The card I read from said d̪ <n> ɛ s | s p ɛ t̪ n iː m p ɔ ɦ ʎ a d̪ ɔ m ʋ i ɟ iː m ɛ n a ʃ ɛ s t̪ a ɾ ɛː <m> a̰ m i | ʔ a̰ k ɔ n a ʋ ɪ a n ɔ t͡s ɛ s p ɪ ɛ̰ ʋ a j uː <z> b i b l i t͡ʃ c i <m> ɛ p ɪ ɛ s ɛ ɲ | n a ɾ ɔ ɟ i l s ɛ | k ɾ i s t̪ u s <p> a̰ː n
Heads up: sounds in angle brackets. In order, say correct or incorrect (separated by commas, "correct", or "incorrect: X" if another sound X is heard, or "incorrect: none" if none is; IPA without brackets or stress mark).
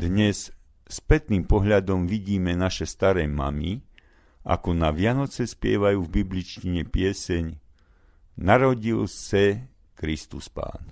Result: incorrect: ɲ, correct, incorrect: v, incorrect: ɲ, correct